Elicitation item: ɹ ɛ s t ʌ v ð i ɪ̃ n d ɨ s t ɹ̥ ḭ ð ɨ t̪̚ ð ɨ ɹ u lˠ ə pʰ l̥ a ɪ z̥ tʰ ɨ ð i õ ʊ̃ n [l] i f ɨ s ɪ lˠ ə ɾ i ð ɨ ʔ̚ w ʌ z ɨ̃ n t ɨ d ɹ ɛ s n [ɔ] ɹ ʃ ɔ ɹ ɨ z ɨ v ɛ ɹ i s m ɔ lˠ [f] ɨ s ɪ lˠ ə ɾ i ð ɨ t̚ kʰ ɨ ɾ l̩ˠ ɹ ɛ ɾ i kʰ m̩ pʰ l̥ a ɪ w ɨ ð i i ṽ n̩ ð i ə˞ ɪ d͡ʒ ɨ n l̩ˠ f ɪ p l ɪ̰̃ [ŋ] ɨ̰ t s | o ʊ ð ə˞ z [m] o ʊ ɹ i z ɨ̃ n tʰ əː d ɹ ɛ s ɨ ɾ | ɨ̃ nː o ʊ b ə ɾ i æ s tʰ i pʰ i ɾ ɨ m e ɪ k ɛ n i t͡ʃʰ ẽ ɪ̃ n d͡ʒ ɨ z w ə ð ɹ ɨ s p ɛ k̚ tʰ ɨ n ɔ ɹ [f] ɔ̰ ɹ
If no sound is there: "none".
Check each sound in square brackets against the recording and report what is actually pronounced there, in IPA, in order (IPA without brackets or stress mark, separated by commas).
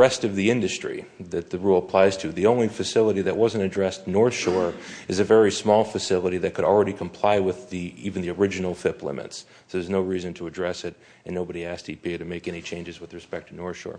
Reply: l, ɔ, f, m, n, ʃ